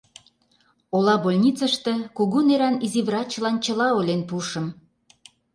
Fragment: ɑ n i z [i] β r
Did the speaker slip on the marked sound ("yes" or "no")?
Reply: no